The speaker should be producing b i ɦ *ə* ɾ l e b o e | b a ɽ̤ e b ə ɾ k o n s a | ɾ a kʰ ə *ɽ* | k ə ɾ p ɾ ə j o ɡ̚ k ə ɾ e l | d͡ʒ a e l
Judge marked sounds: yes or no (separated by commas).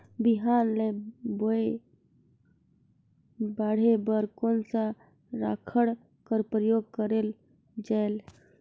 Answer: no, yes